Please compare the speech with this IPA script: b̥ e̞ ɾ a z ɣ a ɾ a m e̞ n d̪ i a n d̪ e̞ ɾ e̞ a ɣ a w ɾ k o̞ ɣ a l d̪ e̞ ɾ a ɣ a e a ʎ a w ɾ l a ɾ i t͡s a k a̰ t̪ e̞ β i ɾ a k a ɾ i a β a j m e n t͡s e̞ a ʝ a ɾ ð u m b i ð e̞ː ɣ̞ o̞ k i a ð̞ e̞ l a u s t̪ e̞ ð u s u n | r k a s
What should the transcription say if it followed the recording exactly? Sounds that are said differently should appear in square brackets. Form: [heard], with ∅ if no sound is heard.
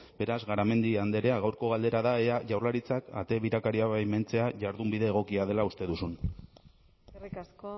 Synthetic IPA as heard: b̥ e̞ ɾ a z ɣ a ɾ a m e̞ n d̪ i a n d̪ e̞ ɾ e̞ a ɣ a w ɾ k o̞ ɣ a l d̪ e̞ ɾ a [ð] a e a [ʝ] a w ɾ l a ɾ i t͡s a k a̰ t̪ e̞ β i ɾ a k a ɾ i a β a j m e n t͡s e̞ a ʝ a ɾ ð u m b i ð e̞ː ɣ̞ o̞ k i a ð̞ e̞ l a u s t̪ e̞ ð u s u n | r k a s